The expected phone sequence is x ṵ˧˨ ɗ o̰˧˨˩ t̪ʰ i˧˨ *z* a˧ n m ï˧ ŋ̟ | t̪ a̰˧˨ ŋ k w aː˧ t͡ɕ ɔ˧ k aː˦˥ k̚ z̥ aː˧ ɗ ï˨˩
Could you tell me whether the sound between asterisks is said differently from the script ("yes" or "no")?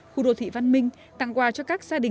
yes